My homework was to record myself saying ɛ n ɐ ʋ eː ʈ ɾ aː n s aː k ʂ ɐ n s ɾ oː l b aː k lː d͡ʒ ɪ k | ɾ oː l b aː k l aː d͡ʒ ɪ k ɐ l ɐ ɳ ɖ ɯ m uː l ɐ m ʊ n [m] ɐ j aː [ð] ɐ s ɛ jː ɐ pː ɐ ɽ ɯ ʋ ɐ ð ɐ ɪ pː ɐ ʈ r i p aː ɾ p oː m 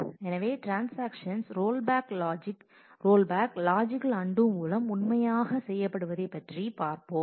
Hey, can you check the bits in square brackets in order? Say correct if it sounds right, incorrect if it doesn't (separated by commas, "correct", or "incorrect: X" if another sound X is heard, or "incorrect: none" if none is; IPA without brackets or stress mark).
correct, incorrect: ɣ